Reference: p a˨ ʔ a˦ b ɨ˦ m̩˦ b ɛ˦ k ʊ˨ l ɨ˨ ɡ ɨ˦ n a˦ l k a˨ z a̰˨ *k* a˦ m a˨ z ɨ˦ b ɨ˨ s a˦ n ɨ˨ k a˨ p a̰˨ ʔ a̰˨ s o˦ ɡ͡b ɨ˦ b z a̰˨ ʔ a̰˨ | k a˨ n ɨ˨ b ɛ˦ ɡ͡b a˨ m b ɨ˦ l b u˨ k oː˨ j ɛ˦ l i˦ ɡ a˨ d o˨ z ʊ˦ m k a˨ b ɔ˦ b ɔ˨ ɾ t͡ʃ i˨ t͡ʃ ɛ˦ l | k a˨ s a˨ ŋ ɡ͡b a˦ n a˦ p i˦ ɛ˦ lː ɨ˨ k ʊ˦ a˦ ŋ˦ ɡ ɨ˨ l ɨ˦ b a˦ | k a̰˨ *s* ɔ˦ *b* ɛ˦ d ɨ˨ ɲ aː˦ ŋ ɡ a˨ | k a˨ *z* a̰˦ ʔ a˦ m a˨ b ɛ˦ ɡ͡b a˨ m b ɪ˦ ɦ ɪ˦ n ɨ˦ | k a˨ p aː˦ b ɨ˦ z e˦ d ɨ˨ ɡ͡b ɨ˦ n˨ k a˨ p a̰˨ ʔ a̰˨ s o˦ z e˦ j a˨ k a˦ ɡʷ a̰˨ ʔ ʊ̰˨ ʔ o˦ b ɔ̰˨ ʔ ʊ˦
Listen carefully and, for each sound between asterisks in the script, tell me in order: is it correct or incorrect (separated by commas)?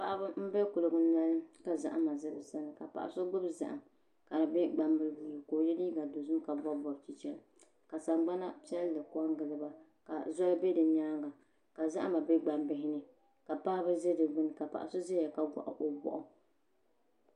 incorrect, incorrect, correct, correct